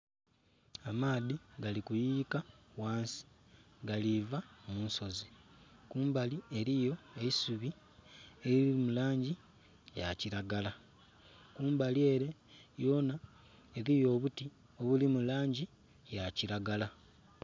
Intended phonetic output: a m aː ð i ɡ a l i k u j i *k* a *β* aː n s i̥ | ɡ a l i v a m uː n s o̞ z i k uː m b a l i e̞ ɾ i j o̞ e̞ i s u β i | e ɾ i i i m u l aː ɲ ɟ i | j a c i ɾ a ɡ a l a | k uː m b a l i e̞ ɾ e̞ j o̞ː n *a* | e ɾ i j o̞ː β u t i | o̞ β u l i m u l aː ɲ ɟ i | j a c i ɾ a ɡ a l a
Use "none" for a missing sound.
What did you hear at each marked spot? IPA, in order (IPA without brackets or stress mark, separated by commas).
k, w, a